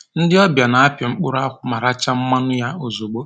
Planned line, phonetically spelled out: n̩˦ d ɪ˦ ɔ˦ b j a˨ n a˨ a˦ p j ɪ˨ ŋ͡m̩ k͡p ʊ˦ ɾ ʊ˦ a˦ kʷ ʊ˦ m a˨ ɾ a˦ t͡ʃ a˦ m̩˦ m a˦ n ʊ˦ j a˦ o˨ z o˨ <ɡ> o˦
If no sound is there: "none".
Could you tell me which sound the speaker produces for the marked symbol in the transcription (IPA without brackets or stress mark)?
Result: ɡ͡b